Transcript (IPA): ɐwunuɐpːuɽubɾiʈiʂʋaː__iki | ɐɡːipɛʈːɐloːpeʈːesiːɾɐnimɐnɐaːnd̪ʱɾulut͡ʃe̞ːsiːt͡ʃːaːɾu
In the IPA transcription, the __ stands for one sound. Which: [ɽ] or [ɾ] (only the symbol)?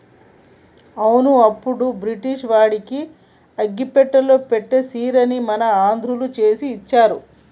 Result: ɽ